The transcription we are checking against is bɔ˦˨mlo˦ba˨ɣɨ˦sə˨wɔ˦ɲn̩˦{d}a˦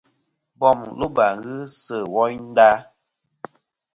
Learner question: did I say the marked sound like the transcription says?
yes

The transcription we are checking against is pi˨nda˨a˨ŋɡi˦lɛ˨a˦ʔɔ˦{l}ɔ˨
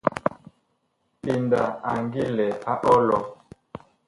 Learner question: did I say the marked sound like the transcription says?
yes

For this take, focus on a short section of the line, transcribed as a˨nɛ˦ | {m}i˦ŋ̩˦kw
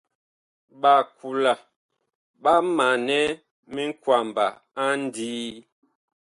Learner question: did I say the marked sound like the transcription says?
yes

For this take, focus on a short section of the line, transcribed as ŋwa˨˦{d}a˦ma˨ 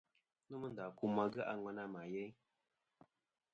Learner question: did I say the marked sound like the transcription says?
no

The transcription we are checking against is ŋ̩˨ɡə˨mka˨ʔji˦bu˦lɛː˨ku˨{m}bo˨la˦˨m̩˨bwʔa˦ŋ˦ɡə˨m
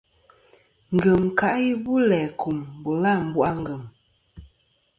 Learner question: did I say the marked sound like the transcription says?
yes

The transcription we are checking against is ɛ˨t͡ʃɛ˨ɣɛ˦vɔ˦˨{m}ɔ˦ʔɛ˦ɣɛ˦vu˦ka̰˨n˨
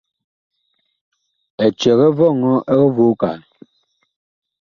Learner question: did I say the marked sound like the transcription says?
no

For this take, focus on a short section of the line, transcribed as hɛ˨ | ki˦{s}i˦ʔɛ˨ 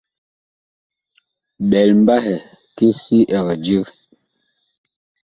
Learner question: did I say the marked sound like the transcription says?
yes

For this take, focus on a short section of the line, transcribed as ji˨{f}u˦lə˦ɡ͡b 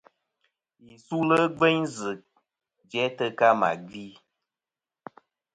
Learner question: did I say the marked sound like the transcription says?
no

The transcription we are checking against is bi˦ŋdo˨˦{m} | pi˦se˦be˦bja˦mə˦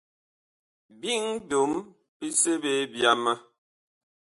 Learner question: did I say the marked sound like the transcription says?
yes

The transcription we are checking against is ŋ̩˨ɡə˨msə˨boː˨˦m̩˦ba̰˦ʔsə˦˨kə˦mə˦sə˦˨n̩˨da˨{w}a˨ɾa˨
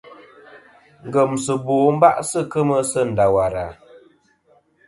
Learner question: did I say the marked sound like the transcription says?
yes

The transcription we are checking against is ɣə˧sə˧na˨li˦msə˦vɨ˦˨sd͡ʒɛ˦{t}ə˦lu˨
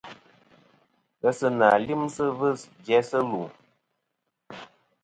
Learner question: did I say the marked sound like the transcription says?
no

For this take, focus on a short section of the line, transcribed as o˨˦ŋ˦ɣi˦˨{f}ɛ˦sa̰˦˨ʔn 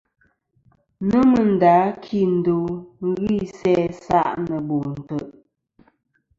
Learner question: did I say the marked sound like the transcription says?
no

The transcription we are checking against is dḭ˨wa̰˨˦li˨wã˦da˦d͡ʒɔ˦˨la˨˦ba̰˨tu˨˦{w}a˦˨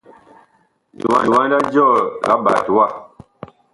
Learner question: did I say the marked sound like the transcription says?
yes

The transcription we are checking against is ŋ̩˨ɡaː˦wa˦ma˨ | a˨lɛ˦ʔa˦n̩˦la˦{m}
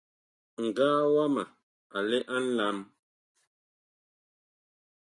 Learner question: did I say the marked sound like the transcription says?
yes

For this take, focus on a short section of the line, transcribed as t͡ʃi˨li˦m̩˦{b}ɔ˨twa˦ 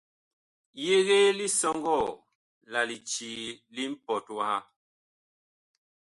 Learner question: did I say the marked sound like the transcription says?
no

